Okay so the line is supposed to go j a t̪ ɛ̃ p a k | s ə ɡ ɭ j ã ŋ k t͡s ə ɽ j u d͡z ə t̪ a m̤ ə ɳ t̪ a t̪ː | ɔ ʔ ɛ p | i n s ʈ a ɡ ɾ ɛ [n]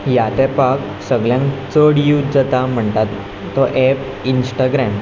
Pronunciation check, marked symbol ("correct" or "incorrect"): incorrect